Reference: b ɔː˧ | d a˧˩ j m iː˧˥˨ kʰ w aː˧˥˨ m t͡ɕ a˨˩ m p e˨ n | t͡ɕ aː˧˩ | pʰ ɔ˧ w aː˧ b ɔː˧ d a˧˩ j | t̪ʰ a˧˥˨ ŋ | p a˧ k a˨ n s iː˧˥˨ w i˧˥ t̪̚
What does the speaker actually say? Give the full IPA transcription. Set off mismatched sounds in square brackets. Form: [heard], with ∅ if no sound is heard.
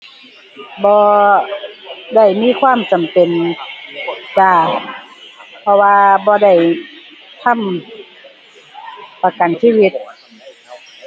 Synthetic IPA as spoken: b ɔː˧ | d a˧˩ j m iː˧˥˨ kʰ w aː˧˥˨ m t͡ɕ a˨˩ m p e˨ n | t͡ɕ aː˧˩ | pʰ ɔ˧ w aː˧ b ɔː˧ d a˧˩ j | t̪ʰ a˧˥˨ [m] | p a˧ k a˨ n s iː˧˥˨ w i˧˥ t̪̚

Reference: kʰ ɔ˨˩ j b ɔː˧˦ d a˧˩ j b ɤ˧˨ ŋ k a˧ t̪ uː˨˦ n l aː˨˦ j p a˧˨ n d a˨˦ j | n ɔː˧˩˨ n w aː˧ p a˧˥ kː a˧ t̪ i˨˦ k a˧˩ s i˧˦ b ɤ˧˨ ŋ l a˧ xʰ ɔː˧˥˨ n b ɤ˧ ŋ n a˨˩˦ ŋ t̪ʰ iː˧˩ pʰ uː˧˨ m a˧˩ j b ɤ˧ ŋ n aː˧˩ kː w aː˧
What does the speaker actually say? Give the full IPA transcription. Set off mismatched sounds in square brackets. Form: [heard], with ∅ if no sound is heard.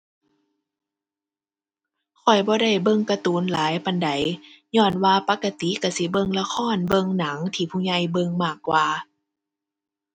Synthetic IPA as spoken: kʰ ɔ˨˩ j b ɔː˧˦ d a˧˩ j b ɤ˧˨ ŋ k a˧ t̪ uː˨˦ n l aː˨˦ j p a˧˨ n d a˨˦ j | [ɲ] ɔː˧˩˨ n w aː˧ p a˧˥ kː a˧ t̪ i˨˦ k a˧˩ s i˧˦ b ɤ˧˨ ŋ l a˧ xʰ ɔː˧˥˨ n b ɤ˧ ŋ n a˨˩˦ ŋ t̪ʰ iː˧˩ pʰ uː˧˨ [ɲ] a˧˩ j b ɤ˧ ŋ [m] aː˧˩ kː w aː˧

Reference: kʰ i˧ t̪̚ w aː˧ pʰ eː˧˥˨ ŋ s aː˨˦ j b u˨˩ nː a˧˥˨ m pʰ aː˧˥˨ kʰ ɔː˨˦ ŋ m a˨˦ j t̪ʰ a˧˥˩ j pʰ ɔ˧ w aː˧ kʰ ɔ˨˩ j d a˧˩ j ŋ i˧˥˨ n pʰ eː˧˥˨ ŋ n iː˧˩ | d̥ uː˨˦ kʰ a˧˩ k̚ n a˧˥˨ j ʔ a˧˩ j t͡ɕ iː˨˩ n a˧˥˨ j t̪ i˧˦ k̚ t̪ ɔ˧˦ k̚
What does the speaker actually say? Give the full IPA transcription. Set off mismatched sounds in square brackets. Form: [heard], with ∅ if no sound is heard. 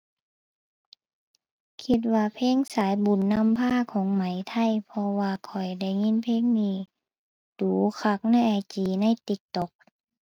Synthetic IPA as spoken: kʰ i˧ t̪̚ w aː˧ pʰ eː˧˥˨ ŋ s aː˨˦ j b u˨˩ nː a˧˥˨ m pʰ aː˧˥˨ kʰ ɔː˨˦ ŋ m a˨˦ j t̪ʰ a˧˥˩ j pʰ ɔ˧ w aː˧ kʰ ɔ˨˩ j d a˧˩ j ŋ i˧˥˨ n pʰ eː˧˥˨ ŋ n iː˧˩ | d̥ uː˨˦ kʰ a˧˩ k̚ n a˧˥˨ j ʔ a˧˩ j t͡ɕ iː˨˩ n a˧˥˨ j t̪ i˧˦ k̚ t̪ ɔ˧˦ k̚

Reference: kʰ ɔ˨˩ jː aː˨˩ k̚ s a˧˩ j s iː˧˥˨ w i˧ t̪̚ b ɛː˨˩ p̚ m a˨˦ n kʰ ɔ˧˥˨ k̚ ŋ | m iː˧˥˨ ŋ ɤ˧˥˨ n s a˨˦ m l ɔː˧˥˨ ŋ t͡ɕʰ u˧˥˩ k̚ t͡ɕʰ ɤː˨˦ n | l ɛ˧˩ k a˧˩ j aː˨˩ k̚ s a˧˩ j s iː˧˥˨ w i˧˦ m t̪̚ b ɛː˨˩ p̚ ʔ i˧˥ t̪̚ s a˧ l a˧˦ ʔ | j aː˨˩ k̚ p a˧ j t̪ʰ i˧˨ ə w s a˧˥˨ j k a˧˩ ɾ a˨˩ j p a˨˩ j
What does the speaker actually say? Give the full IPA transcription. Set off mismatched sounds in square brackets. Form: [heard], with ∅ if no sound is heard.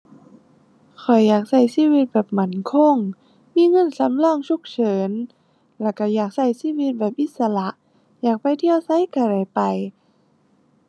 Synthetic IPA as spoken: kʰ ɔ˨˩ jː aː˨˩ k̚ s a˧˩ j s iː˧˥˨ w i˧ t̪̚ b ɛː˨˩ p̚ m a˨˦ n kʰ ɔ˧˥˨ [∅] ŋ | m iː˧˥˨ ŋ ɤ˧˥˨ n s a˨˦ m l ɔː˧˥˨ ŋ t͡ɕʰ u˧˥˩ k̚ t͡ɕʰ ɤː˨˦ n | l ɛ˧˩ k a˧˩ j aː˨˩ k̚ s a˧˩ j s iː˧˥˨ w i˧˦ [∅] t̪̚ b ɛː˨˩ p̚ ʔ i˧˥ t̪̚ s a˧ l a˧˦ ʔ | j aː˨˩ k̚ p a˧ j t̪ʰ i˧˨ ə w s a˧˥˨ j k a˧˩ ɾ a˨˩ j p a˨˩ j

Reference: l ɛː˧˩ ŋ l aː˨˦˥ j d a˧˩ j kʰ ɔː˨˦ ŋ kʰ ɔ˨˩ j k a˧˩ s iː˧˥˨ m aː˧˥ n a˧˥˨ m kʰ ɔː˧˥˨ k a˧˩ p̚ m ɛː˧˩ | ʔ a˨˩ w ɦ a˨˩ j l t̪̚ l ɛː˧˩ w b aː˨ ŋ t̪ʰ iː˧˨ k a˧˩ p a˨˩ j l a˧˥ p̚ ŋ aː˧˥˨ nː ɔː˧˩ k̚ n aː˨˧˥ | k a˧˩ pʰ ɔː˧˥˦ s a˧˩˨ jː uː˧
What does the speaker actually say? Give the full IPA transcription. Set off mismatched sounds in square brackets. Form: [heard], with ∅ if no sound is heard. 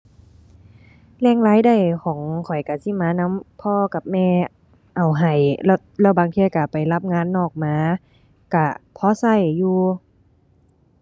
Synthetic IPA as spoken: l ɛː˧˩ ŋ l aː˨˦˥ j d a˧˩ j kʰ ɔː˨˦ ŋ kʰ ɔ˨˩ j k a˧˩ s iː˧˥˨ m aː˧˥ n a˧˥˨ m [pʰ] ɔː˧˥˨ k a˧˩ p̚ m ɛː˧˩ | ʔ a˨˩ w ɦ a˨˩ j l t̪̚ l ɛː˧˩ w b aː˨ ŋ t̪ʰ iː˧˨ k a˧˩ p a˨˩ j l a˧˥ p̚ ŋ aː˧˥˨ nː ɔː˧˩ k̚ [m] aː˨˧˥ | k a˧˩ pʰ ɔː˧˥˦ s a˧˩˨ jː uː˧

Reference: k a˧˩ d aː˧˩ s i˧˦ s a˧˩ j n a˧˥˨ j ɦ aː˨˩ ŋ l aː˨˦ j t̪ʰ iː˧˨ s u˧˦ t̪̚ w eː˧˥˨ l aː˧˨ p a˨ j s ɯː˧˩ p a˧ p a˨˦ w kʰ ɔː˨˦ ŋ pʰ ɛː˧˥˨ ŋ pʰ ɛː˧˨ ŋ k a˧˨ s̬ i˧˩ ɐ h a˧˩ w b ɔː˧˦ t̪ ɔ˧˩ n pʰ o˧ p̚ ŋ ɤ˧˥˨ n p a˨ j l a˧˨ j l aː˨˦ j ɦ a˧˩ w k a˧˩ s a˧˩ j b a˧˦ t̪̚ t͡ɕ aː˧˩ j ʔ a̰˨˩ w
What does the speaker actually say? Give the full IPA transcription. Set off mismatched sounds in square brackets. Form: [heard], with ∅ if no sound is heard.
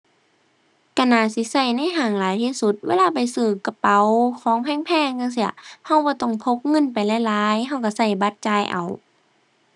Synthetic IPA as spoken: k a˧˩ [n] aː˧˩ s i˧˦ s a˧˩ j n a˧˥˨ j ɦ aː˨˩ ŋ l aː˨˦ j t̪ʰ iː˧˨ s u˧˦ t̪̚ w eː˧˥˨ l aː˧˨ p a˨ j s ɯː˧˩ [k] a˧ p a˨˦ w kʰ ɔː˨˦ ŋ pʰ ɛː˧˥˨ ŋ pʰ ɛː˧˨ ŋ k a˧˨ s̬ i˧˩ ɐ h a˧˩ w b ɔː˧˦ t̪ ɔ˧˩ [ŋ] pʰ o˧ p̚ ŋ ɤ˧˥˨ n p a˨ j l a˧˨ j l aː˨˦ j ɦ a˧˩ w k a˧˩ s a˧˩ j b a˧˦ t̪̚ t͡ɕ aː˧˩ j ʔ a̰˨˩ w

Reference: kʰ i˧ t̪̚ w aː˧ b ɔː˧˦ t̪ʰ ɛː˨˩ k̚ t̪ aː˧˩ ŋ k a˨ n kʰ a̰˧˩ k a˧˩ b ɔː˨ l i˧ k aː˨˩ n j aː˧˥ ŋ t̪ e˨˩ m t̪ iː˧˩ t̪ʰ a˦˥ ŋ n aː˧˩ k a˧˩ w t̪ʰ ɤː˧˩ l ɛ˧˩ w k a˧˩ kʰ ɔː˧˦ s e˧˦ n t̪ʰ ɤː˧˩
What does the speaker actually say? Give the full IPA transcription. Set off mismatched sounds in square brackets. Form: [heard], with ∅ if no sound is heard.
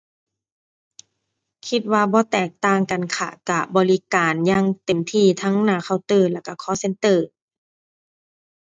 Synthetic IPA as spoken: kʰ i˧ t̪̚ w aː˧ b ɔː˧˦ [t̪] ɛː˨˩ k̚ t̪ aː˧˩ ŋ k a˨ n kʰ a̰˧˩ k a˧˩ b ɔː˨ l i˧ k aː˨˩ n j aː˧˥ ŋ t̪ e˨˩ m [t̪ʰ] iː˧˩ t̪ʰ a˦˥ ŋ n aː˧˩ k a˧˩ w [t̪] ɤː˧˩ l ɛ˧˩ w k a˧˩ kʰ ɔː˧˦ s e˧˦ n [t̪] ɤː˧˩

